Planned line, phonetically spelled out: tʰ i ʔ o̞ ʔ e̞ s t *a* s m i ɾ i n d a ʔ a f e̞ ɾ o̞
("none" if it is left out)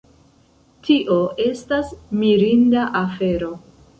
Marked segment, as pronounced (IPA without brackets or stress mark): a